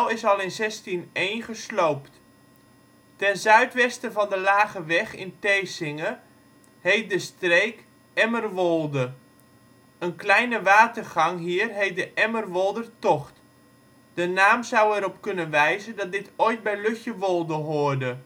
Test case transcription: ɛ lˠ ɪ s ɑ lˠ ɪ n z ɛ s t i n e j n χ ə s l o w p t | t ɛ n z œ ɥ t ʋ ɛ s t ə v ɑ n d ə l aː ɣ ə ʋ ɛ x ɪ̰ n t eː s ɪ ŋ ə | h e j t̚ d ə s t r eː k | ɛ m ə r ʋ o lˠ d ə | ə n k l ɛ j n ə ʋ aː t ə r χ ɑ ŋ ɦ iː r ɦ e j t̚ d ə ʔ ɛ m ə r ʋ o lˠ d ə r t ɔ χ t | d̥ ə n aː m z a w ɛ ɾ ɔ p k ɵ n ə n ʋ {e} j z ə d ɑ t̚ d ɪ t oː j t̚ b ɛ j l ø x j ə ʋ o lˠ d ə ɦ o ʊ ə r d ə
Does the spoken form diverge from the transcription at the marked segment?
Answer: yes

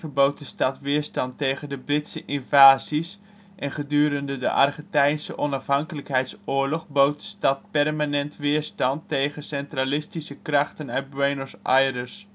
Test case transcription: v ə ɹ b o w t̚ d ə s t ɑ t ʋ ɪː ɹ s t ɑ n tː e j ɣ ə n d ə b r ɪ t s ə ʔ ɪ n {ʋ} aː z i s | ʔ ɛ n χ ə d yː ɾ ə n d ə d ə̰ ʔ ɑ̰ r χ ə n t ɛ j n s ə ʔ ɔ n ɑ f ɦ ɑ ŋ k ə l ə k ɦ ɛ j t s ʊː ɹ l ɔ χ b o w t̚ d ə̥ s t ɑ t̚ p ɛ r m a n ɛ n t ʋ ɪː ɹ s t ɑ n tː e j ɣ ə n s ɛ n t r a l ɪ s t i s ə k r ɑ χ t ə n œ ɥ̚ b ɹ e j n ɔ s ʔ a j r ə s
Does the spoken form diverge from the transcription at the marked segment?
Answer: yes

